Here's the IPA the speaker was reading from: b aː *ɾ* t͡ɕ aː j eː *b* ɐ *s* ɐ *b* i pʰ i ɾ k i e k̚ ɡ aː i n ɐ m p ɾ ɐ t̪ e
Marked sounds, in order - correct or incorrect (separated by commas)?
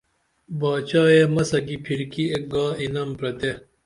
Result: incorrect, incorrect, correct, incorrect